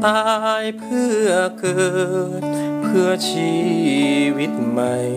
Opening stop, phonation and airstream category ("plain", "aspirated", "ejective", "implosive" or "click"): plain